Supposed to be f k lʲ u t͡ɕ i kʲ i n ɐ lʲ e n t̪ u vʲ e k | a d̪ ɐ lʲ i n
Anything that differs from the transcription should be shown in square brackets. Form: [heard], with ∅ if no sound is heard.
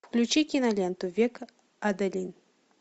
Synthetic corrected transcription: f k lʲ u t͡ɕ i kʲ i n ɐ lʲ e n t̪ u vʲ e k | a d̪ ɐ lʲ i n